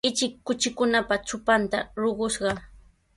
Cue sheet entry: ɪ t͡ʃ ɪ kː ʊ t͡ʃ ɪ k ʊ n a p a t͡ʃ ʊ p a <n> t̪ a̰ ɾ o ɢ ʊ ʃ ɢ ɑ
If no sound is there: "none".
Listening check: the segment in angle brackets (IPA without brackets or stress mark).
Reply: n